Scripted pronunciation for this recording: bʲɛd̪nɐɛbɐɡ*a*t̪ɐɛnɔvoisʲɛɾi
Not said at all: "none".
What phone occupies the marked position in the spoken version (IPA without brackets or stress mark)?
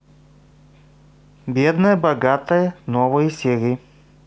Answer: a